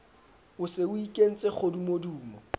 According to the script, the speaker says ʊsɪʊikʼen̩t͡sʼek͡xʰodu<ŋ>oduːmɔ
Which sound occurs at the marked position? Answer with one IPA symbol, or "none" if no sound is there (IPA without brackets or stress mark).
m